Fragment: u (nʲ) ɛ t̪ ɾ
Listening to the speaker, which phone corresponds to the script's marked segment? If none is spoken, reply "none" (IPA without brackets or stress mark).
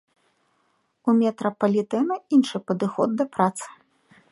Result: mʲ